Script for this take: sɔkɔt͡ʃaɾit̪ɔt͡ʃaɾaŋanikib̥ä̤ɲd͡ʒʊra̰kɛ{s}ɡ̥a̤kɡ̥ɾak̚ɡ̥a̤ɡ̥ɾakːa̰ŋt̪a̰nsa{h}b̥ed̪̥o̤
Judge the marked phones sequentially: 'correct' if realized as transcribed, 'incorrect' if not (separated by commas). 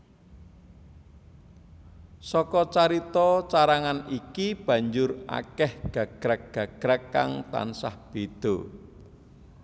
incorrect, correct